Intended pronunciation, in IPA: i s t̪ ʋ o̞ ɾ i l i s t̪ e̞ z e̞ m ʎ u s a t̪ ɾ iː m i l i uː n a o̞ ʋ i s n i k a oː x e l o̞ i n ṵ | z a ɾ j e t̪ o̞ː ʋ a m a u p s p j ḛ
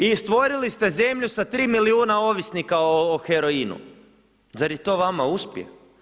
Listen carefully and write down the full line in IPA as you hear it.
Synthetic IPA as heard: i s t̪ ʋ o̞ ɾ i l i s t̪ e̞ z e̞ m ʎ u s a t̪ ɾ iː m i l i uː n a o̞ ʋ i s n i k a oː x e ɾ o̞ i n ṵ | z a ɾ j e t̪ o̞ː ʋ a m a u s p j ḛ

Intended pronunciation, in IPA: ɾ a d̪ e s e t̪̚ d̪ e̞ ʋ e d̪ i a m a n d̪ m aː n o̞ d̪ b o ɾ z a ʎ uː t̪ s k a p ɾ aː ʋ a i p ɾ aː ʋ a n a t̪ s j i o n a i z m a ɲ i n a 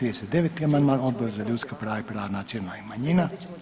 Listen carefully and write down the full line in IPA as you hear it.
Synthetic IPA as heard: ɾ i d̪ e s e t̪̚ d̪ e̞ ʋ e t̪ i a m a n d̪ m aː n o̞ d̪ b o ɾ z a ʎ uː t̪ s k a p ɾ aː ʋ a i p ɾ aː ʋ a n a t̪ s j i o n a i m a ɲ i n a

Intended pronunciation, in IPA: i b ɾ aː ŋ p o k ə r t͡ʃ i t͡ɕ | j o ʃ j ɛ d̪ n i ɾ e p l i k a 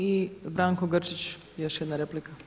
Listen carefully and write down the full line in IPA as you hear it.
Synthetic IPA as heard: i b ɾ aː ŋ k o ɡ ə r t͡ʃ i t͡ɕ | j o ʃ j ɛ d̪ n a ɾ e p l i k a

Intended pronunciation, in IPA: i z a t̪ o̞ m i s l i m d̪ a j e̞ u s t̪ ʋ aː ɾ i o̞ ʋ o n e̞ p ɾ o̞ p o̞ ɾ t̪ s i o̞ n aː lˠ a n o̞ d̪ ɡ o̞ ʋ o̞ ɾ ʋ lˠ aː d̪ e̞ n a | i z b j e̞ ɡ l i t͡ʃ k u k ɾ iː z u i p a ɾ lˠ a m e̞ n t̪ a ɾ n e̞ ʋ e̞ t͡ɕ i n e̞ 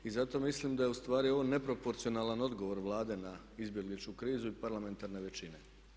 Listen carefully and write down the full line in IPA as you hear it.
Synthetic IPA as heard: i z a t̪ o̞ m i s l i m d̪ a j e̞ u s t̪ ʋ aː ɾ i o̞ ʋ o n e̞ p ɾ o̞ p o̞ ɾ t̪ s i o̞ n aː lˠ a n o̞ d̪ ɡ o̞ ʋ o̞ ɾ ʋ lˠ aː d̪ e̞ n a | i z b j e̞ ɡ l i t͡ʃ k u k ɾ iː z u i p a ɾ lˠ a m e̞ n t̪ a ɾ n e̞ ʋ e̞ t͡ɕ i n e̞

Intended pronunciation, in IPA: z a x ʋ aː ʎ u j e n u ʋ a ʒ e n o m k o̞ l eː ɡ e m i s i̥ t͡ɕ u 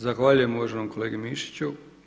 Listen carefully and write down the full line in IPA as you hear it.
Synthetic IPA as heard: z a x ʋ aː ʎ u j e m u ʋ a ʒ e n o m k o̞ l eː ɡ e m i ʃ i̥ t͡ɕ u

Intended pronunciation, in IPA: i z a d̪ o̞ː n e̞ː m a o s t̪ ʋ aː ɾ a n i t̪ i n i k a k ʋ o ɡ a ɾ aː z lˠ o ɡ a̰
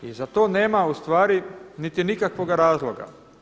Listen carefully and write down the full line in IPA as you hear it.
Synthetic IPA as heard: i z a t̪ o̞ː n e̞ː m a u s t̪ ʋ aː ɾ i n i t̪ i n i k a k ʋ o ɡ a ɾ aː z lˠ o ɡ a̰

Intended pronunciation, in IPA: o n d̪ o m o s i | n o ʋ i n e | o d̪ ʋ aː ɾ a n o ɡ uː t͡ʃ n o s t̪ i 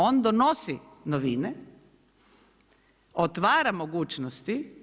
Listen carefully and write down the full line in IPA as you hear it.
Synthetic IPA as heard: o n d̪ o n o s i | n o ʋ i n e | o t̪ ʋ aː ɾ a m o ɡ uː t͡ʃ n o s t̪ i

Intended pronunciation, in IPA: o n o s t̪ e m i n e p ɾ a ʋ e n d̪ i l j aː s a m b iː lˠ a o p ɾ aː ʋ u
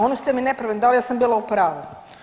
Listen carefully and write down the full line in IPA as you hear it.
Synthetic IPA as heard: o n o s t̪ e m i n e p ɾ a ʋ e n d̪ a l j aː s a m b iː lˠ a u p ɾ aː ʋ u

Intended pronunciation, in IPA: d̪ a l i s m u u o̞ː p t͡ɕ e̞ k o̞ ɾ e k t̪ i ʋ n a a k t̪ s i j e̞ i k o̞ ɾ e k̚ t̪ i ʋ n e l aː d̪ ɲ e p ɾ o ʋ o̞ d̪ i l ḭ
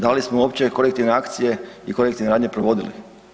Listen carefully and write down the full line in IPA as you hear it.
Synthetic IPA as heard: d̪ a l i s m o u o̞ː p t͡ɕ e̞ k o̞ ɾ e k t̪ i ʋ n e a k t̪ s i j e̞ i k o̞ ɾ e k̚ t̪ i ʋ n e ɾ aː d̪ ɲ e p ɾ o ʋ o̞ d̪ i l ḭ

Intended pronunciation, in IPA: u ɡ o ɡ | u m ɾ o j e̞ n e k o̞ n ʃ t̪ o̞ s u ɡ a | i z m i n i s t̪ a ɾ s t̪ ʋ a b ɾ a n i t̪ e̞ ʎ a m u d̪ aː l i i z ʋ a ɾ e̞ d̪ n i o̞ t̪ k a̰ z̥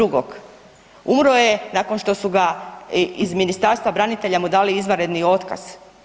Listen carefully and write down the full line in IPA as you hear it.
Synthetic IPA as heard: u ɡ o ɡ | u m ɾ o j e̞ n a k o̞ n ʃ t̪ o̞ s u ɡ a | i z m i n i s t̪ a ɾ s t̪ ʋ a b ɾ a n i t̪ e̞ ʎ a m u d̪ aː l i i z ʋ a ɾ e̞ d̪ n i o̞ t̪ k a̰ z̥

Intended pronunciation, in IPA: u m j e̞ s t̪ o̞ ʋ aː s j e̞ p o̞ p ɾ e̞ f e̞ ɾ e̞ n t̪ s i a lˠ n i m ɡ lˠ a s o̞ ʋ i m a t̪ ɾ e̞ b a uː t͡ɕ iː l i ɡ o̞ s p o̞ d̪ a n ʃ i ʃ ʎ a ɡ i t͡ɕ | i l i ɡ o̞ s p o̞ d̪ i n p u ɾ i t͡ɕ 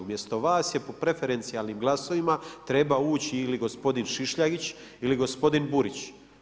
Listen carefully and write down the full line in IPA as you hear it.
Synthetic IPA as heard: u m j e̞ s t̪ o̞ ʋ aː s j e̞ p o̞ p ɾ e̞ f e̞ ɾ e̞ n t̪ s i a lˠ n i m ɡ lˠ a s o̞ ʋ i m a t̪ ɾ e̞ b a uː t͡ɕ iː l i ɡ o̞ s p o̞ d̪ i n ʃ i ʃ ʎ a ɡ i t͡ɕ | i l i ɡ o̞ s p o̞ d̪ i n b u ɾ i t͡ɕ

